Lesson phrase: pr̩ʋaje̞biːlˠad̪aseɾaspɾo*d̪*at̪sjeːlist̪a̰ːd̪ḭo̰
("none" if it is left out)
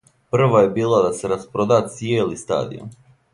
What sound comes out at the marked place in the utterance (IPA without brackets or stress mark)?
d̪